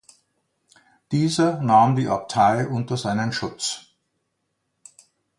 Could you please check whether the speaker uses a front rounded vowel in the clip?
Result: no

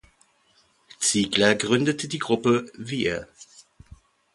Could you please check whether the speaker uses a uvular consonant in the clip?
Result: yes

